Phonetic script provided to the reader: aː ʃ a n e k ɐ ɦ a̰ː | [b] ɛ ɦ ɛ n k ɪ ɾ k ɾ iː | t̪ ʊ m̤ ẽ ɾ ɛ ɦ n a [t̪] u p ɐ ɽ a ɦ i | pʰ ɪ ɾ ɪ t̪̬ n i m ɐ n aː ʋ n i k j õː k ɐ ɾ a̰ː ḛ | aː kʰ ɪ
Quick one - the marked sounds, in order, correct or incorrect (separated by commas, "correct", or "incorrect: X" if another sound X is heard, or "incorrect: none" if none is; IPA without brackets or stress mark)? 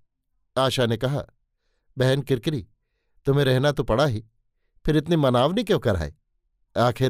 correct, correct